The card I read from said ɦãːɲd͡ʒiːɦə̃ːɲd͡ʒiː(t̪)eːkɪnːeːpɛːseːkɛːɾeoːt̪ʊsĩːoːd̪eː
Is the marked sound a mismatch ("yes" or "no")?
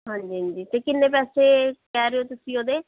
no